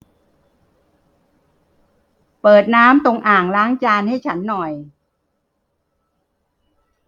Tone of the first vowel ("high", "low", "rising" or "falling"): low